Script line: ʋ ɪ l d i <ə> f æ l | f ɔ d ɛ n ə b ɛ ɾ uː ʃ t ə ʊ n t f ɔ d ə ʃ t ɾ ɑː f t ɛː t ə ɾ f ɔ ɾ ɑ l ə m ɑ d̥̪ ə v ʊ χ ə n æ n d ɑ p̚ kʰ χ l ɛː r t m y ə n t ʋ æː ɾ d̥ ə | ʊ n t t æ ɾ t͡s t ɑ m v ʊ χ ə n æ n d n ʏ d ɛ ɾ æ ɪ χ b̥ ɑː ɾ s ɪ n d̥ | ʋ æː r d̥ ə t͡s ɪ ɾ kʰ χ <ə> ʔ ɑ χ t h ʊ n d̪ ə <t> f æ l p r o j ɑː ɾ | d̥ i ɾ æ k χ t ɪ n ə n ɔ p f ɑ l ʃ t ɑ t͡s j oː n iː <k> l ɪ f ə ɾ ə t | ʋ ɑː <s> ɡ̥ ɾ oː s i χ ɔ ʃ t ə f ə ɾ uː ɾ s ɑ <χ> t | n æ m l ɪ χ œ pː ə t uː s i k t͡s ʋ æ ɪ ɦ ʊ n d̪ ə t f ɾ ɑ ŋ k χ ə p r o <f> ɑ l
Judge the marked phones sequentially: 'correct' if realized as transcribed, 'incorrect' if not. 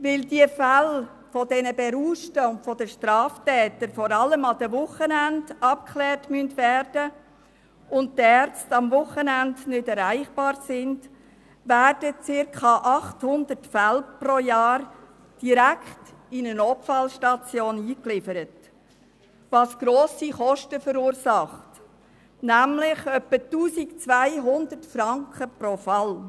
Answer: correct, incorrect: ɑ, correct, correct, correct, correct, correct

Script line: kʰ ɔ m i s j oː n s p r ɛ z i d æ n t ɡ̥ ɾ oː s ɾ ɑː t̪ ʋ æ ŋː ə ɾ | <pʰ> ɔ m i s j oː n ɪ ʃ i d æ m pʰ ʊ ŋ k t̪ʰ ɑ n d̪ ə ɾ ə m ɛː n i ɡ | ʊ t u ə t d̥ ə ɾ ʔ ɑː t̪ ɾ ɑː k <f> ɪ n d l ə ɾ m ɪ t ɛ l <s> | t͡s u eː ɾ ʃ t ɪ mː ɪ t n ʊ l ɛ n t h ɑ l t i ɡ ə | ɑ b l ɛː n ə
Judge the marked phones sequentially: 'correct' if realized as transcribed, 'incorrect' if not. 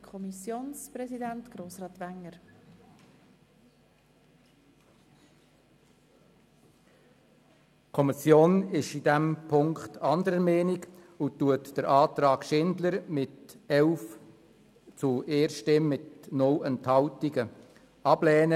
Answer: incorrect: kʰ, incorrect: ʃ, incorrect: f

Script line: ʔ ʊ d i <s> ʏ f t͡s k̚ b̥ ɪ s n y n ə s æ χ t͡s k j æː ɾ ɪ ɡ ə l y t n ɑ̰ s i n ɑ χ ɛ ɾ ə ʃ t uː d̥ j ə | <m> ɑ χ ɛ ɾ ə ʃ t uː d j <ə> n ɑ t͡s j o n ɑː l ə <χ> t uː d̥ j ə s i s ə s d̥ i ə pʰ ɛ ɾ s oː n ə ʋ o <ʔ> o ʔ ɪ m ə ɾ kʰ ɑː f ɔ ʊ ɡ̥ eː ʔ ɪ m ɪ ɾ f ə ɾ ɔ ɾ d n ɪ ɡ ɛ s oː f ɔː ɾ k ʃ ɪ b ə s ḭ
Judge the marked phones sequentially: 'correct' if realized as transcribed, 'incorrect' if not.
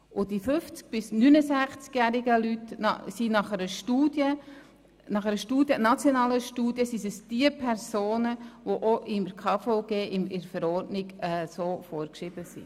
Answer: incorrect: f, incorrect: n, correct, incorrect: ʃ, correct

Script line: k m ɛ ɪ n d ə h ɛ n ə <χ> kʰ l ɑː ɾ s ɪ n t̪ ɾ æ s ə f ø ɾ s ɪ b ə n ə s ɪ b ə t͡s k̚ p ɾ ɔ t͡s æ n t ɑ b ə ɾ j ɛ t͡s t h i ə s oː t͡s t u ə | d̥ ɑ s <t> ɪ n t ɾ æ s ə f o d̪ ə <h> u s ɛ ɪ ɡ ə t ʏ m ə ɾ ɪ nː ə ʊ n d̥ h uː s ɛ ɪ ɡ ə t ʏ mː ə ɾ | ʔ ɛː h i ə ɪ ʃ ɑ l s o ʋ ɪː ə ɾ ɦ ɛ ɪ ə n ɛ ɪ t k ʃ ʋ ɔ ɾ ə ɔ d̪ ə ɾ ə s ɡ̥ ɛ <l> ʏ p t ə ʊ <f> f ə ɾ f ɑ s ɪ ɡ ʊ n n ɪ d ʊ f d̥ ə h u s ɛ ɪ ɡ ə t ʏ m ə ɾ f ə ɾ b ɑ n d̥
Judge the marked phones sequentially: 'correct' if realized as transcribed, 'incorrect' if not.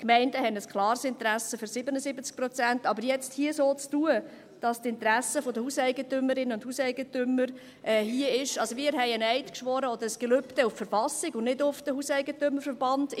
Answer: incorrect: s, correct, correct, correct, correct

